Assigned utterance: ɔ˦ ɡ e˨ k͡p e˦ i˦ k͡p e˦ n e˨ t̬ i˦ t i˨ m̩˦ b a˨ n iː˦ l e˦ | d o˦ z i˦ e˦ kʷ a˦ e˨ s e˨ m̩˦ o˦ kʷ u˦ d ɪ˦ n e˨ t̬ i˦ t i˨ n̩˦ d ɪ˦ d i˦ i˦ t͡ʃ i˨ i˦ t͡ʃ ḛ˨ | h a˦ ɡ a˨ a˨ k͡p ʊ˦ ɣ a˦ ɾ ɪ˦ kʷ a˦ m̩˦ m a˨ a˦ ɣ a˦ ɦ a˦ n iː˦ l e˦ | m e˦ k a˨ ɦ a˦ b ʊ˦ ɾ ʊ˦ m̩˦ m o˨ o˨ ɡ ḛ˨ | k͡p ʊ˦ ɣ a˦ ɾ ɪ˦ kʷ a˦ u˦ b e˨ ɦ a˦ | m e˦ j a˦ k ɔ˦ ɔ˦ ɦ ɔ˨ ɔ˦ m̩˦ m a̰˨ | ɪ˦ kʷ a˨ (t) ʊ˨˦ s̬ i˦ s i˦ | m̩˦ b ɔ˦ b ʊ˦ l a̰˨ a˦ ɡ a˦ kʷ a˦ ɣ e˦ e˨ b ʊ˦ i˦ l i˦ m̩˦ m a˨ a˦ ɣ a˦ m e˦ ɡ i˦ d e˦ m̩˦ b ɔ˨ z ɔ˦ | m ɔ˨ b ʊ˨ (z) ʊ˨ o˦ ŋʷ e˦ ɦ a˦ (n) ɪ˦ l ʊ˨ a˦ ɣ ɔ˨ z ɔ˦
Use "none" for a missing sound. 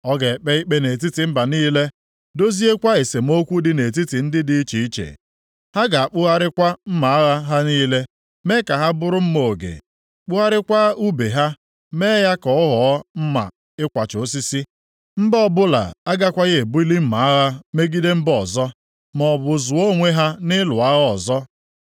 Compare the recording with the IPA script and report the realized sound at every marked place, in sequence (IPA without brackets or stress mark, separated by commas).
t͡ʃ, z, n